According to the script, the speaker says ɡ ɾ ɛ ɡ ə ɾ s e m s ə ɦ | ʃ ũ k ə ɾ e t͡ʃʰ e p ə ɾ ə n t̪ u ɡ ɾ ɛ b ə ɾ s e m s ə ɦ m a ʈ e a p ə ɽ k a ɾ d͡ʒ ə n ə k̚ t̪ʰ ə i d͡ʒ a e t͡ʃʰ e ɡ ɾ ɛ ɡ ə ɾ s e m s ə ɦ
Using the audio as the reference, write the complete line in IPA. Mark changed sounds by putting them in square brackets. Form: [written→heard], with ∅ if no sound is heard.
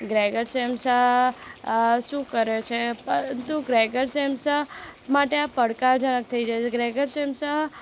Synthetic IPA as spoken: ɡ ɾ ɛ ɡ ə ɾ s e m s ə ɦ | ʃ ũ k ə ɾ e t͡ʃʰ e p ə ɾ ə n t̪ u ɡ ɾ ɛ [b→ɡ] ə ɾ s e m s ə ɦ m a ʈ e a p ə ɽ k a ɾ d͡ʒ ə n ə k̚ t̪ʰ ə i d͡ʒ a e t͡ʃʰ e ɡ ɾ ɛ ɡ ə ɾ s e m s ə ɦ